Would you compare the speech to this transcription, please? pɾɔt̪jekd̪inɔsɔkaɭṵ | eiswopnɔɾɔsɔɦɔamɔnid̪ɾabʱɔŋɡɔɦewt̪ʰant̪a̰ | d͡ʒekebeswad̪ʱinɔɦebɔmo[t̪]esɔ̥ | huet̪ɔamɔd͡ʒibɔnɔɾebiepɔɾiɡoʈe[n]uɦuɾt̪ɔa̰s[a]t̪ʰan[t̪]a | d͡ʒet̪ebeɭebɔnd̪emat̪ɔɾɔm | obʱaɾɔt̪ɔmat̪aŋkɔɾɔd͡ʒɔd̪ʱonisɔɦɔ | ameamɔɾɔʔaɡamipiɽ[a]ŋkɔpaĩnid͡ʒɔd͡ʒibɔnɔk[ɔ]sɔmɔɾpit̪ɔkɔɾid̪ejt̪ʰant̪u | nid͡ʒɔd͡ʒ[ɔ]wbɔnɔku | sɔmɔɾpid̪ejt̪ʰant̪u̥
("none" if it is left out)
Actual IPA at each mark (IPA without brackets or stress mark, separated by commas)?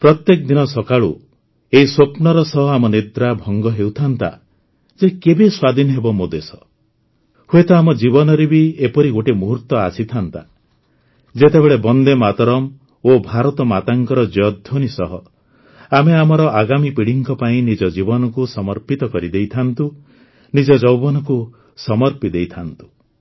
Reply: d̪, m, i, t̪, i, u, ɔ